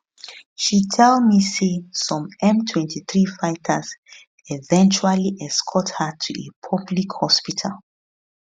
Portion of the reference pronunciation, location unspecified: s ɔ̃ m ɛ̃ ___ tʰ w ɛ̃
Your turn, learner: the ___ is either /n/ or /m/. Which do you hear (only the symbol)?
m